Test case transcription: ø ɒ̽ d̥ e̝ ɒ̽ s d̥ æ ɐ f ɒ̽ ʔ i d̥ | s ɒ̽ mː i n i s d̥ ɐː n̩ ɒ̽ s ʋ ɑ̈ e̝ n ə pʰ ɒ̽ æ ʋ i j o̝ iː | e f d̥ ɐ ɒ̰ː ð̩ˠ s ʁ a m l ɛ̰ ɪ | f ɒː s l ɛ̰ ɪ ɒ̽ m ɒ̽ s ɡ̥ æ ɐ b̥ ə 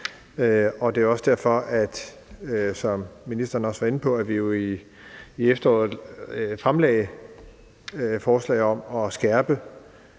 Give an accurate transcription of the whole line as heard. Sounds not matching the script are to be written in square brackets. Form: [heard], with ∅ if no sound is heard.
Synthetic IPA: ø ɒ̽ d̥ e̝ ɒ̽ s d̥ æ ɐ f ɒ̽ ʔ [æ] d̥ | s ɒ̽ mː i n i s d̥ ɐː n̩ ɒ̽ s ʋ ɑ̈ e̝ n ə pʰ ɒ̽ æ ʋ i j o̝ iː | e f d̥ ɐ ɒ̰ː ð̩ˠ [f] ʁ a m l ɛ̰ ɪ | f ɒː s l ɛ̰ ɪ ɒ̽ m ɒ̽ s ɡ̥ æ ɐ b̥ ə